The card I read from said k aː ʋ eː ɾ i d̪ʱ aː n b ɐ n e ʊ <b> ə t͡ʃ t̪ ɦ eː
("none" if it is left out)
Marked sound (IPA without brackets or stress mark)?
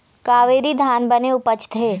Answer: p